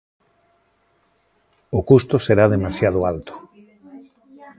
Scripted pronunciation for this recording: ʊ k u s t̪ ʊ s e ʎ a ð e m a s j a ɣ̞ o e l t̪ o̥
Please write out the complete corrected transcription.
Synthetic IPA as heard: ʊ k u s t̪ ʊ s e ɾ a ð e m a s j a ð̞ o a l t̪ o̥